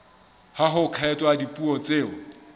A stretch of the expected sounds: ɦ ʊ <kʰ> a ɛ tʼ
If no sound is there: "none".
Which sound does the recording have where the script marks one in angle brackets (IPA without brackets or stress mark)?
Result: kʰ